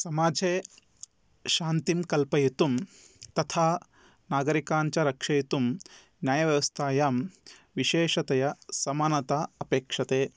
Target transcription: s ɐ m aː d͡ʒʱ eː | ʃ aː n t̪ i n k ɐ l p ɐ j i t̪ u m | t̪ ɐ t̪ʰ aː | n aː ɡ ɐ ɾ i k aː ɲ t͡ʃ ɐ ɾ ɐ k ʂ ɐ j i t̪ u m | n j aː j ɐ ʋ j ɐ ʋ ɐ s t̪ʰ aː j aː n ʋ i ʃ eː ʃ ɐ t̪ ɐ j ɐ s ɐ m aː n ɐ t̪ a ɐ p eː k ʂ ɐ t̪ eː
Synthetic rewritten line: s ɐ m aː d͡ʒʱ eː | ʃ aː n t̪ i m k ɐ l p ɐ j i t̪ u m | t̪ ɐ t̪ʰ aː | n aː ɡ ɐ ɾ i k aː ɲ t͡ʃ ɐ ɾ ɐ k ʂ ɐ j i t̪ u m | n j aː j ɐ ʋ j ɐ ʋ ɐ s t̪ʰ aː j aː m ʋ i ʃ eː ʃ ɐ t̪ ɐ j ɐ s ɐ m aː n ɐ t̪ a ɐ p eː k ʂ ɐ t̪ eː